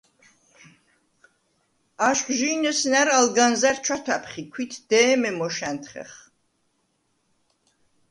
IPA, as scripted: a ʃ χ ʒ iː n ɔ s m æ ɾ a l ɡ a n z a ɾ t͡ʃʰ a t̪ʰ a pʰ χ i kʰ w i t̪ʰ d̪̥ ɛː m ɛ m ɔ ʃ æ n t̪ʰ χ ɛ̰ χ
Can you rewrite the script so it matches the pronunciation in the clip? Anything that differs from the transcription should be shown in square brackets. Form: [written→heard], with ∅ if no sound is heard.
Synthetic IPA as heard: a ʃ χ ʒ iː n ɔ s [m→n] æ ɾ a l ɡ a n z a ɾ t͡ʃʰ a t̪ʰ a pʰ χ i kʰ w i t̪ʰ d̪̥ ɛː m ɛ m ɔ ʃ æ n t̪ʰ χ ɛ̰ χ